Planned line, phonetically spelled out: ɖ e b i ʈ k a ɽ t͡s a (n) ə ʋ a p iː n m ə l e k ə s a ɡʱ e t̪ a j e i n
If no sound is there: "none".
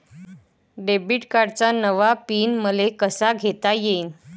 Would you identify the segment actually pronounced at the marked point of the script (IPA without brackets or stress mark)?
n